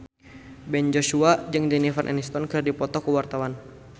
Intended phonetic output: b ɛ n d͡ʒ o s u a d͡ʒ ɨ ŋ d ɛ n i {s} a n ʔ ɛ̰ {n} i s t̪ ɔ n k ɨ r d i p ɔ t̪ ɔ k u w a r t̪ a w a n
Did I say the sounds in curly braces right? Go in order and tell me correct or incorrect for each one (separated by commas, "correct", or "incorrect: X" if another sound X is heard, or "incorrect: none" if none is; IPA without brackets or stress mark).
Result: incorrect: f, correct